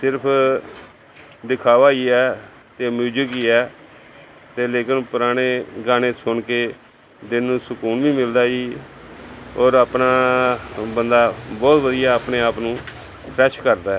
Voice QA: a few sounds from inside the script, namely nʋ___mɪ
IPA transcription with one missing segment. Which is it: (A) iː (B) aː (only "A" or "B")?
A